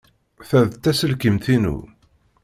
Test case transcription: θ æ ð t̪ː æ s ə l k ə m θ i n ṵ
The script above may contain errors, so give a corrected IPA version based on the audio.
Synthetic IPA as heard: θ æ ð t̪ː æ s ə l k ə m θ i n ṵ